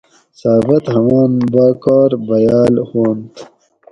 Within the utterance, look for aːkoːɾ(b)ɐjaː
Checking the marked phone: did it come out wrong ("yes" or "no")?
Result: no